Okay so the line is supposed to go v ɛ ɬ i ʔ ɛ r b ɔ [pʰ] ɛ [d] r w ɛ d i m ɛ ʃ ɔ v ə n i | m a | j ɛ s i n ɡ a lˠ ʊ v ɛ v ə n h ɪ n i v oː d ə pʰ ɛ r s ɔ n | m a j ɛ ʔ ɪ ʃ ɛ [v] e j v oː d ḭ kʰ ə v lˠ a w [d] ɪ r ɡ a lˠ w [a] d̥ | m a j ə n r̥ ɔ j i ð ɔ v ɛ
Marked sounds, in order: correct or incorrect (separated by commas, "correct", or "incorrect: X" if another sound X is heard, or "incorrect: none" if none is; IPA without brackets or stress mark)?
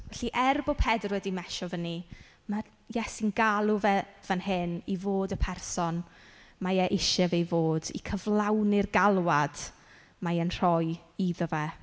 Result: correct, correct, correct, incorrect: n, correct